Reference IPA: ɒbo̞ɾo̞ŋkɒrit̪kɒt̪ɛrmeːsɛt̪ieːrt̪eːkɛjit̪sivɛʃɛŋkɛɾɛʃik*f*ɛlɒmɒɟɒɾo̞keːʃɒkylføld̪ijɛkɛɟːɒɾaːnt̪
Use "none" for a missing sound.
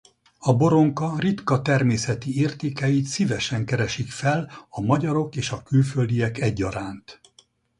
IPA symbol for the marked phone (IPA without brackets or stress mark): f